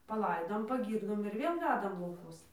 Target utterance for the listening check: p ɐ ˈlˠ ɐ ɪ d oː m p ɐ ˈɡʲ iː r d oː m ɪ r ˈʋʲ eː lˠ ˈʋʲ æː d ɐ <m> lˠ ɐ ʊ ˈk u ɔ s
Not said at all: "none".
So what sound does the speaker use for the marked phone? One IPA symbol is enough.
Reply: m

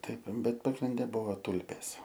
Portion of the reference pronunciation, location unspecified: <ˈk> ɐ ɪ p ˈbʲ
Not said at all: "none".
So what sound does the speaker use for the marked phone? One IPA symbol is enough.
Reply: t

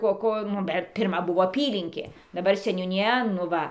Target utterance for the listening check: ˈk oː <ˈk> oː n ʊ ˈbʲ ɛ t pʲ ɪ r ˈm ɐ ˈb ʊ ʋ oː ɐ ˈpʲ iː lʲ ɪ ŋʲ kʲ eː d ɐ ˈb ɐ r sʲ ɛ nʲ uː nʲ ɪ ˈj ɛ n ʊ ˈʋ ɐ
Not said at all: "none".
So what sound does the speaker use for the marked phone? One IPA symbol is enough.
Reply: k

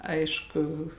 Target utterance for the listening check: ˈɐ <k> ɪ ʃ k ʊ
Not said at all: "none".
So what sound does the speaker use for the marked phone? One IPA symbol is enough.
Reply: none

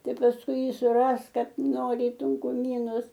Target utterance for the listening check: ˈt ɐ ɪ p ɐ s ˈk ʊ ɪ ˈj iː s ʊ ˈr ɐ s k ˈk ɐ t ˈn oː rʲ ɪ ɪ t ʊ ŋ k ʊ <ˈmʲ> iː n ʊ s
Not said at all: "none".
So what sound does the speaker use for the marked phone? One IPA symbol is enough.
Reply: mʲ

